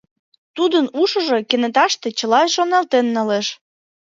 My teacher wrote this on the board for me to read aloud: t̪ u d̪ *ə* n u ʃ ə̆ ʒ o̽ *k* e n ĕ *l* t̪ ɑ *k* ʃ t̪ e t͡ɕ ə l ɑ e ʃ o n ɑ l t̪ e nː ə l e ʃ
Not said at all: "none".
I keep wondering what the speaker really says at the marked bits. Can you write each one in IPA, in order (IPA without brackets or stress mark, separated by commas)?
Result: ə, k, none, none